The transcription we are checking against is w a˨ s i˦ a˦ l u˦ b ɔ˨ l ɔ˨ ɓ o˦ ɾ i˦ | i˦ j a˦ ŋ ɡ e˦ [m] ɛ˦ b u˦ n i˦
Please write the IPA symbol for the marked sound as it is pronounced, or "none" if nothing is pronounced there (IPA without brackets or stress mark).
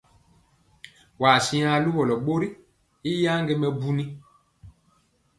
m